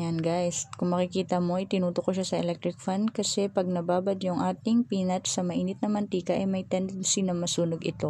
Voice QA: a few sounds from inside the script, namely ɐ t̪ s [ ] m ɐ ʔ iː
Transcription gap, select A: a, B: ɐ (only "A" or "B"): B